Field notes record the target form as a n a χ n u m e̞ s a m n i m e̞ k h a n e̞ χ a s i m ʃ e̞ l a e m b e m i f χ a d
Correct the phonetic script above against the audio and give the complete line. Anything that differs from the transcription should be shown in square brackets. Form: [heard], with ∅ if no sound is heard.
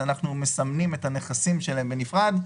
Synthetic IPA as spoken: a n a χ n u m e̞ s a m n i m e̞ [t] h a n e̞ χ a s i m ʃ e̞ l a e m b e [n] i f [ʁ] a d